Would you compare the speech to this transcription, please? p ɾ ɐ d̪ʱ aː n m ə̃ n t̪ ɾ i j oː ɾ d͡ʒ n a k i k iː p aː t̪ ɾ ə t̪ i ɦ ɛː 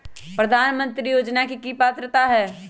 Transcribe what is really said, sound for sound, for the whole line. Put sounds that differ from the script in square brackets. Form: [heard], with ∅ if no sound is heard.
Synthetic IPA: p ɾ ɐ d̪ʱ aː n m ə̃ n t̪ ɾ i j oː [∅] d͡ʒ n a k i k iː p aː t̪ ɾ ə t̪ [a] ɦ ɛː

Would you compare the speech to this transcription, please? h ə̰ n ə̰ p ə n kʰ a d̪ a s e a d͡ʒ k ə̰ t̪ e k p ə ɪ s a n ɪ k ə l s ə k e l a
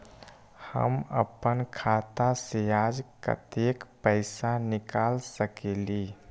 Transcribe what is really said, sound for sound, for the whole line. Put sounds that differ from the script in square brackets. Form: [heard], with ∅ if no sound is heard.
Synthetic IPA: h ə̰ [m] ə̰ p ə n kʰ a [t̪] a s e a d͡ʒ k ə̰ t̪ e k p ə ɪ s a n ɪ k [a] l s ə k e l [i]

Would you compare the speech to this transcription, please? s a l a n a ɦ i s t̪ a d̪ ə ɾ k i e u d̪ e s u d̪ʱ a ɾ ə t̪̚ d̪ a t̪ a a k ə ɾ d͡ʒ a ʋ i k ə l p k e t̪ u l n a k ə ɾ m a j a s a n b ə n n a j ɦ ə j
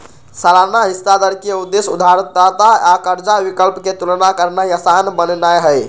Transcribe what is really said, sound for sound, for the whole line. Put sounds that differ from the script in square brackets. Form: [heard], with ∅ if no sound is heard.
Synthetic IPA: s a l a n a ɦ i s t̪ a d̪ ə ɾ k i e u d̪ e s u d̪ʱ a ɾ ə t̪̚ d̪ a t̪ a a k ə ɾ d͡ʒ a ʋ i k ə l p k e t̪ u l n a k ə ɾ [n] a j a s a n b ə n n a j ɦ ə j

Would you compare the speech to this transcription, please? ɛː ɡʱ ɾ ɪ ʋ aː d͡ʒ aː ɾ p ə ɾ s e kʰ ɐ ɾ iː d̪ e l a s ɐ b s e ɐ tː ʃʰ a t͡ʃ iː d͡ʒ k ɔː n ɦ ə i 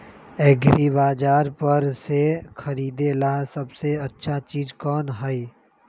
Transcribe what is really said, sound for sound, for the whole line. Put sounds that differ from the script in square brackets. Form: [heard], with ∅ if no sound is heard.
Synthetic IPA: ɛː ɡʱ ɾ [i] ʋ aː d͡ʒ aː ɾ p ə ɾ s e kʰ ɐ ɾ iː d̪ e l a s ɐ b s e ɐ tː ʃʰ a t͡ʃ iː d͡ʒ k ɔː n ɦ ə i

